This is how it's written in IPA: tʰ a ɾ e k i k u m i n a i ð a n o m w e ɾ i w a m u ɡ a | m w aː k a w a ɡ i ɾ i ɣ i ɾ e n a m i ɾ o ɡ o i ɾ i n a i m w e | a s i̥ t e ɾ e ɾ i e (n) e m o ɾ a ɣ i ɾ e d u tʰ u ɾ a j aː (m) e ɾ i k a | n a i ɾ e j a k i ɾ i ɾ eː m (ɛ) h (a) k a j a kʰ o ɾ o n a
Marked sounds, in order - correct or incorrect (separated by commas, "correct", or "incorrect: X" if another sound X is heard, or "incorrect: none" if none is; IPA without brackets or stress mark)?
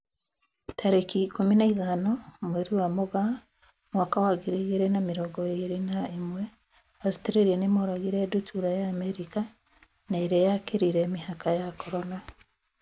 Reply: correct, correct, incorrect: i, correct